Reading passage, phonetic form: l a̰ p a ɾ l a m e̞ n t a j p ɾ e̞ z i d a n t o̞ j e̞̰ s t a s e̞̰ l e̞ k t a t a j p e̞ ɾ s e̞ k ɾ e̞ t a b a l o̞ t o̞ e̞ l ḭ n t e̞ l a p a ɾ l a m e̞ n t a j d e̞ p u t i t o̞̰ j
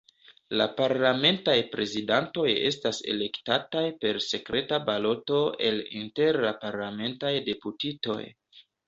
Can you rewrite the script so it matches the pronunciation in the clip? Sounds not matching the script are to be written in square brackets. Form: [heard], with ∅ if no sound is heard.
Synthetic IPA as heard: l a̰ p a ɾ l a m e̞ n t a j p ɾ e̞ z i d a n t o̞ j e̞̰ s t a s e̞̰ l e̞ k t a t a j p e̞ ɾ s e̞ k ɾ e̞ t a b a l o̞ t o̞ e̞ l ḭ n t e̞ [ɾ] a p a ɾ l a m e̞ n t a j d e̞ p u t i t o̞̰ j

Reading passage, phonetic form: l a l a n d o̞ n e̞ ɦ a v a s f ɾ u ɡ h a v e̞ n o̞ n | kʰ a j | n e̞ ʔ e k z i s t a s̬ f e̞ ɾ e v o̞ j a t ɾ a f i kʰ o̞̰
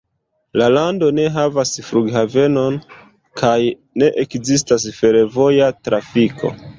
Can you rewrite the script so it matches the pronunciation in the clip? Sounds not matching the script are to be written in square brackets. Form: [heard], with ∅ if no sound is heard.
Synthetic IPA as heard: l a l a n d o̞ n e̞ ɦ a v a s f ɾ u ɡ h a v e̞ n o̞ n | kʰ a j | n e̞ ʔ e k z i s t a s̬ f e̞ ɾ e v o̞ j a t ɾ a f i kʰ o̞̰

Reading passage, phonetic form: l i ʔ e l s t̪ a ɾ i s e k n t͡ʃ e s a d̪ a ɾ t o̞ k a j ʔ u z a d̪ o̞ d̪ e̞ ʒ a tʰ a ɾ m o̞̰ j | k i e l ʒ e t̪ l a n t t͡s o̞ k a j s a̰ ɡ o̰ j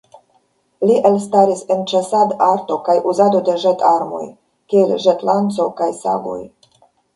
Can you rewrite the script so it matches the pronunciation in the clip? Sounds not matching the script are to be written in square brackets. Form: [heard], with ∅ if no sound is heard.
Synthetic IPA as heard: l i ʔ e l s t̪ a ɾ i s e [∅] n t͡ʃ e s a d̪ a ɾ t o̞ k a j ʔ u z a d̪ o̞ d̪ e̞ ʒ [e] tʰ a ɾ m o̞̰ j | k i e l ʒ e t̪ l a n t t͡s o̞ k a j s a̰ ɡ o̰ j

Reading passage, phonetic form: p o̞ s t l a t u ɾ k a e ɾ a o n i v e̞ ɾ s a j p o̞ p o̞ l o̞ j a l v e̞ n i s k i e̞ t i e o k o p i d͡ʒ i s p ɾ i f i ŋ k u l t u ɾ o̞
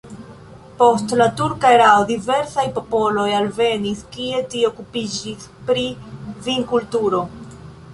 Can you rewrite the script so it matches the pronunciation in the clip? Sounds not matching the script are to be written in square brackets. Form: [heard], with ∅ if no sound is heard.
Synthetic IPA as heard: p o̞ s t l a t u ɾ k a e ɾ a o [d] i v e̞ ɾ s a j p o̞ p o̞ l o̞ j a l v e̞ n i s k i e̞ t i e o k [u] p i d͡ʒ i s p ɾ i [v] i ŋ k u l t u ɾ o̞

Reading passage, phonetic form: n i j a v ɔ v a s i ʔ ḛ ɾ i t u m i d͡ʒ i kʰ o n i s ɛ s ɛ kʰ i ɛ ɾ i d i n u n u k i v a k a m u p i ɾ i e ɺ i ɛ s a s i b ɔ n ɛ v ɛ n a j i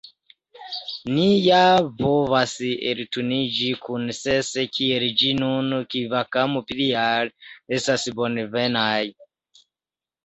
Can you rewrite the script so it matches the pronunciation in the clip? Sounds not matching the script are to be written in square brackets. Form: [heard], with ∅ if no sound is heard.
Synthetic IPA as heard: n i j a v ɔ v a s i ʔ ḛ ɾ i t u [n] i d͡ʒ i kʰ [u] n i s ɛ s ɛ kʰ i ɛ ɾ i [d͡ʒ] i n u n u k i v a k a m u p i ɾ i [a] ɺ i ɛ s a s i b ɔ n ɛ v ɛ n a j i

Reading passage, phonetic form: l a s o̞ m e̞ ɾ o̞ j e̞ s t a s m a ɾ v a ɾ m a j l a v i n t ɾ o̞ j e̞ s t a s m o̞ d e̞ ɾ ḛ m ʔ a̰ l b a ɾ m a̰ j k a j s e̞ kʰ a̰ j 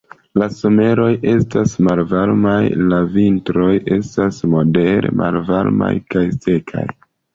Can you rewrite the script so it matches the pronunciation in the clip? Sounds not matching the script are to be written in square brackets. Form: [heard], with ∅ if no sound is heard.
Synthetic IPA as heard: l a s o̞ m e̞ ɾ o̞ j e̞ s t a s m a [l] v a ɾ m a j l a v i n t ɾ o̞ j e̞ s t a s m o̞ d e̞ ɾ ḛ m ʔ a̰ l [v] a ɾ m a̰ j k a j s e̞ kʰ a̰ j

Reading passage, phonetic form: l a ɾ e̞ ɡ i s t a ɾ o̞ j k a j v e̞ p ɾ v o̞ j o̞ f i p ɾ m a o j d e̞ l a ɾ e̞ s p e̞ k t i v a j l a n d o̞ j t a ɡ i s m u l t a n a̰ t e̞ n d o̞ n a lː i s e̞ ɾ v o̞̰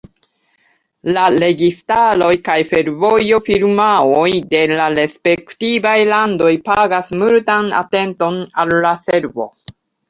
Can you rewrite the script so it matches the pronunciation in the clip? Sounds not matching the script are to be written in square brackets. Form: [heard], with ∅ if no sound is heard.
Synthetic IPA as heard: l a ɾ e̞ ɡ i s t a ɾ o̞ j k a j [f] e̞ [∅] ɾ v o̞ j o̞ f i [∅] ɾ m a o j d e̞ l a ɾ e̞ s p e̞ k t i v a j l a n d o̞ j [p] a ɡ [a] s m u l t a n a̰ t e̞ n [t] o̞ n a lː [a] s e̞ ɾ v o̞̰

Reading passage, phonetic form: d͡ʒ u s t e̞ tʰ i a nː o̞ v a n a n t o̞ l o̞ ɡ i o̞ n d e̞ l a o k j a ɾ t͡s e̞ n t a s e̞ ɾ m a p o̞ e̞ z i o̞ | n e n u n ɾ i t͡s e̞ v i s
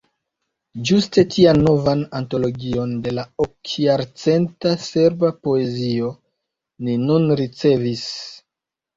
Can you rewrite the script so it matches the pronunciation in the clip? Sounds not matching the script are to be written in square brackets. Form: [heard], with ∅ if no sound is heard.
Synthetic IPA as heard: d͡ʒ u s t e̞ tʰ i a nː o̞ v a n a n t o̞ l o̞ ɡ i o̞ n d e̞ l a o k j a ɾ t͡s e̞ n t a s e̞ ɾ [b] a p o̞ e̞ z i o̞ | n [i] n u n ɾ i t͡s e̞ v i s

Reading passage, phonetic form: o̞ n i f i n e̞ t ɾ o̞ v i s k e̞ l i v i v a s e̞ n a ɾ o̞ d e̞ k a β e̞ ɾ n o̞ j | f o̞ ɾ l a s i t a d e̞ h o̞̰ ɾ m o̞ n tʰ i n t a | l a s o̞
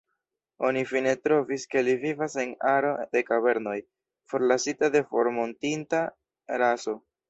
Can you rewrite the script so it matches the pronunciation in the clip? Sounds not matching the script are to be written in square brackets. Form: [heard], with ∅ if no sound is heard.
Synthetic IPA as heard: o̞ n i f i n e̞ t ɾ o̞ v i s k e̞ l i v i v a s e̞ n a ɾ o̞ d e̞ k a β e̞ ɾ n o̞ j | f o̞ ɾ l a s i t a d e̞ [f] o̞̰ ɾ m o̞ n [t] i n t a | [ɾ] a s o̞

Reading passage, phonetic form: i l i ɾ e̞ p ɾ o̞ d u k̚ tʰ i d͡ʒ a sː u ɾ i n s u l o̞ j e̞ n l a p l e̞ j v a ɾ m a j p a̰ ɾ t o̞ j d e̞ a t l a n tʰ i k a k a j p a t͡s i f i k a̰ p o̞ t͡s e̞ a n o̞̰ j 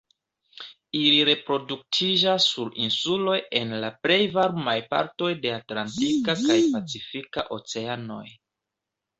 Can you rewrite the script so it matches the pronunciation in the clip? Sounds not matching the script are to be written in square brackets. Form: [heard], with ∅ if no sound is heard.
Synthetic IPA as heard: i l i ɾ e̞ p ɾ o̞ d u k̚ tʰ i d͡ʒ a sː u ɾ i n s u l o̞ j e̞ n l a p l e̞ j v a ɾ m a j p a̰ ɾ t o̞ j d e̞ a t l a n [t] i k a k a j p a t͡s i f i k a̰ [ʔ] o̞ t͡s e̞ a n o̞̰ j

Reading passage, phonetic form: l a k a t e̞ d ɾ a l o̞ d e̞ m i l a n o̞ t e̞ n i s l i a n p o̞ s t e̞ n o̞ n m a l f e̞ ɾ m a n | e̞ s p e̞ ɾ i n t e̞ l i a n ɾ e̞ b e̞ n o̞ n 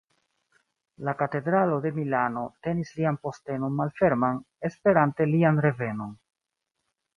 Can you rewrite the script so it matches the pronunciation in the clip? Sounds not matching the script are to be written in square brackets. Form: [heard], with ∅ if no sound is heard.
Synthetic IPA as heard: l a k a t e̞ d ɾ a l o̞ d e̞ m i l a n o̞ t e̞ n i s l i a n p o̞ s t e̞ n o̞ n m a l f e̞ ɾ m a n | e̞ s p e̞ ɾ [a] n t e̞ l i a n ɾ e̞ [v] e̞ n o̞ n

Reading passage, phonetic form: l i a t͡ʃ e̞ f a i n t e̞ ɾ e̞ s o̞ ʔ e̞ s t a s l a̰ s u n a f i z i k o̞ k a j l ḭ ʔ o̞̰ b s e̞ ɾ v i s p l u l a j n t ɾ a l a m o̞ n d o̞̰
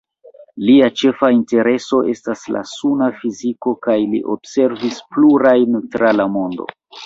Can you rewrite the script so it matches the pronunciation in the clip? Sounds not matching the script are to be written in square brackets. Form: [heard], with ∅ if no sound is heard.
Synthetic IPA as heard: l i a t͡ʃ e̞ f a i n t e̞ ɾ e̞ s o̞ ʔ e̞ s t a s l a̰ s u n a f i z i k o̞ k a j l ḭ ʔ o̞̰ b s e̞ ɾ v i s p l u [ɾ] a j n t ɾ a l a m o̞ n d o̞̰

